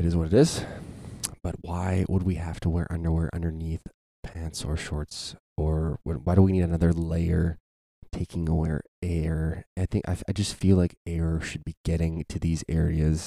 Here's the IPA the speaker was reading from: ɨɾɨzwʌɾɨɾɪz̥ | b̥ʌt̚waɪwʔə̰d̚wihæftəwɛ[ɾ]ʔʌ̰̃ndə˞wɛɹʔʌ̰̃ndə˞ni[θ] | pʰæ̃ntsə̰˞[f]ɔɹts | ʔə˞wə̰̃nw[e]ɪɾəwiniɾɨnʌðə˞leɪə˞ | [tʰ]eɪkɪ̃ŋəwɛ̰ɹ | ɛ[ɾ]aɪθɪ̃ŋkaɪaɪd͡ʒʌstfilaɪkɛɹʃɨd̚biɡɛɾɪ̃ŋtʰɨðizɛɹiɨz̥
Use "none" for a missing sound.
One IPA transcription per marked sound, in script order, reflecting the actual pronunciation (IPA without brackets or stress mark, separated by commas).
ɹ, θ, ʃ, a, tʰ, ɹ